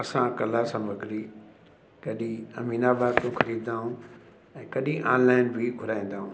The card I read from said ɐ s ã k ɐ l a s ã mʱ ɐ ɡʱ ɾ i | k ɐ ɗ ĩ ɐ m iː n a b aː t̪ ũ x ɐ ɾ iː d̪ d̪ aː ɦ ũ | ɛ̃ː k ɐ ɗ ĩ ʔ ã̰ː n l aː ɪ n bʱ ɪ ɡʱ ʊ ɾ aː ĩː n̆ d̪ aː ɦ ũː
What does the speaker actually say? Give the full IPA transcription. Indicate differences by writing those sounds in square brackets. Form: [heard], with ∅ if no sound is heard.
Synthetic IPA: ɐ s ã k ɐ l a s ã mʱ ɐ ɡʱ ɾ i | k ɐ ɗ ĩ ɐ m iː n a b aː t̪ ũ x ɐ ɾ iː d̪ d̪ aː ɦ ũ | ɛ̃ː k ɐ ɗ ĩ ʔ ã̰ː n l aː ɪ n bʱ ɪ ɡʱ ʊ ɾ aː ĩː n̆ d̪ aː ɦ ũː